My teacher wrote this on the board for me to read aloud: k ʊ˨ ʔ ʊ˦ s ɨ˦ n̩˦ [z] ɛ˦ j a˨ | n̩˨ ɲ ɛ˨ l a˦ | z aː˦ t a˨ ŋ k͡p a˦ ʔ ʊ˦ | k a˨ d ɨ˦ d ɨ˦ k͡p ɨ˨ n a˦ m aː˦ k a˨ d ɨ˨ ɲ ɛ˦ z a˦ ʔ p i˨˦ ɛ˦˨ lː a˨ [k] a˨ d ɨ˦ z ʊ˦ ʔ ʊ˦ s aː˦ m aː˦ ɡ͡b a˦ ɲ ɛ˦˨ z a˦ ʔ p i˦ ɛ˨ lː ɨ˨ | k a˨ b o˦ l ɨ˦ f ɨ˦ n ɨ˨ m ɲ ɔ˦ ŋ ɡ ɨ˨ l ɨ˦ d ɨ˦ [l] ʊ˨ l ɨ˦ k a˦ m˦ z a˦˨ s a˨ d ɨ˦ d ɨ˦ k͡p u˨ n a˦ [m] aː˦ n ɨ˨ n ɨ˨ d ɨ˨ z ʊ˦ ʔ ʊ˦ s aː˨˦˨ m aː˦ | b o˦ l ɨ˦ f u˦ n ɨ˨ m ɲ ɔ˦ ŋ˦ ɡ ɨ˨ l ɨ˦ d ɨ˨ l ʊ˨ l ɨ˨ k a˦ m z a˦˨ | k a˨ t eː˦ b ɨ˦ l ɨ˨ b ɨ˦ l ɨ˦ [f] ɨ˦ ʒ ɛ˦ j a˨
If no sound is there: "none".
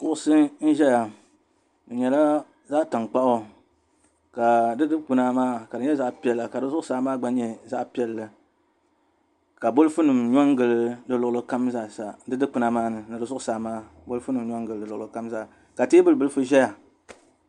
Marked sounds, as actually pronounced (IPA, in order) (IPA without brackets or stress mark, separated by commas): ʒ, k, l, m, f